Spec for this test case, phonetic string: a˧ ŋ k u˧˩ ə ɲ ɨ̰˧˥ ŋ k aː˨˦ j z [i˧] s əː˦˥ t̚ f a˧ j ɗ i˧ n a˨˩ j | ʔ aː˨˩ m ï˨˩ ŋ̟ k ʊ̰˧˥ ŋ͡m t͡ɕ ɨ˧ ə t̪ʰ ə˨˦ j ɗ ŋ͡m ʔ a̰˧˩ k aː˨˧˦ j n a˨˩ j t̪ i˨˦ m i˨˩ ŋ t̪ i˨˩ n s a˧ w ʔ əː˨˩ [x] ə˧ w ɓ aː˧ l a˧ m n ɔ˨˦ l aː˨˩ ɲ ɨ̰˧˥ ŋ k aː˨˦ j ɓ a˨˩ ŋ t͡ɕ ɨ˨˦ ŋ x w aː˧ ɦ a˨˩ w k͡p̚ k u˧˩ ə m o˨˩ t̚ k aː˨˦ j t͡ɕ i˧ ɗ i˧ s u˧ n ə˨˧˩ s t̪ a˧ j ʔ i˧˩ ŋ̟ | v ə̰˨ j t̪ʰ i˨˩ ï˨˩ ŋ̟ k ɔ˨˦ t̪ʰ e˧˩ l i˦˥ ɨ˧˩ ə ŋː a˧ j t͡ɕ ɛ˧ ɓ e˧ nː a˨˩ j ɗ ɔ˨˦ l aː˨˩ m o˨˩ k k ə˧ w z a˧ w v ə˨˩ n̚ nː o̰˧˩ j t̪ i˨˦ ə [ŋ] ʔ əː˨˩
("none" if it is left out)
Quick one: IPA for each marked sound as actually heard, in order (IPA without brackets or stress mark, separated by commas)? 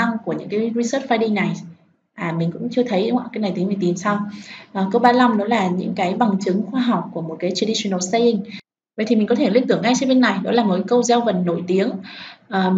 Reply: i˧, k, ŋ